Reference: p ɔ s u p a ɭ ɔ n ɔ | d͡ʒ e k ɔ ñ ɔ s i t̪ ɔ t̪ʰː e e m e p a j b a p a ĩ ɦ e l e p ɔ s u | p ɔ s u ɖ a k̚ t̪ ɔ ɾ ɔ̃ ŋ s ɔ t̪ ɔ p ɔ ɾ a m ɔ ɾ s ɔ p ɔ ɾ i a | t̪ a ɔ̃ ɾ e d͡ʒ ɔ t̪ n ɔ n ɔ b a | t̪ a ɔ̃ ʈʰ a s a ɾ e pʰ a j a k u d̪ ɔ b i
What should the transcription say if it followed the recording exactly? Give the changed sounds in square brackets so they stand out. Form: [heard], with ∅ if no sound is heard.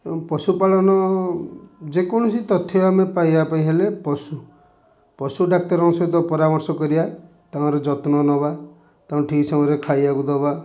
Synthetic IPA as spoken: p ɔ s u p a ɭ ɔ n ɔ | d͡ʒ e k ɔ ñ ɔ s i t̪ ɔ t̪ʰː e [a] m e p a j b a p a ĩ ɦ e l e p ɔ s u | p ɔ s u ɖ a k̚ t̪ ɔ ɾ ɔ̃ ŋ s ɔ t̪ ɔ p ɔ ɾ a m ɔ ɾ s ɔ [k] ɔ ɾ i a | t̪ a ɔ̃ ɾ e d͡ʒ ɔ t̪ n ɔ n ɔ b a | t̪ a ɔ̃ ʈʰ [i] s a ɾ e [kʰ] a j a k u d̪ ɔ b [a]